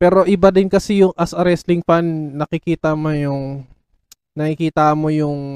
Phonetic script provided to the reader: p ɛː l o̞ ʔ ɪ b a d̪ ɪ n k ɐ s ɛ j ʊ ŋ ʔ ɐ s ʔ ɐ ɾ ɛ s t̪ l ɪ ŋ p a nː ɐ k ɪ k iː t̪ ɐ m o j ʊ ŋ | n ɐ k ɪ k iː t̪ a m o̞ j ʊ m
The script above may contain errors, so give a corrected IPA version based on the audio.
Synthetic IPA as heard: p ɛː ɾ o̞ ʔ ɪ b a d̪ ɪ n k ɐ s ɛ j ʊ ŋ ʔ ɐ s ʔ ɐ ɾ ɛ s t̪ l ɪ ŋ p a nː ɐ k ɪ k iː t̪ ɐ m o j ʊ ŋ | n ɐ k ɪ k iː t̪ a m o̞ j ʊ ŋ